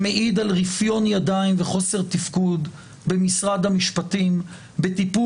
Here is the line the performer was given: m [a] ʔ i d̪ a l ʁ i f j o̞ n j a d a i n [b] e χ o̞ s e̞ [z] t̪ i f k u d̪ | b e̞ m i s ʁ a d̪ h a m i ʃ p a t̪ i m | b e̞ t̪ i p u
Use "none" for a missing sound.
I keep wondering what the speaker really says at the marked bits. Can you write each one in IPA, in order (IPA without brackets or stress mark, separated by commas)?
e, v, ʁ